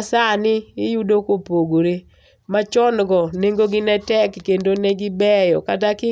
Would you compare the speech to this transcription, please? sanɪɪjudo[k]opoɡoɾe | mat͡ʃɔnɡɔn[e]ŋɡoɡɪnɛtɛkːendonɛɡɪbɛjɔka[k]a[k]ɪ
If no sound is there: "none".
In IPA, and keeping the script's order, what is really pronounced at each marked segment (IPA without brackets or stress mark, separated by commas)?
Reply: k, e, t, k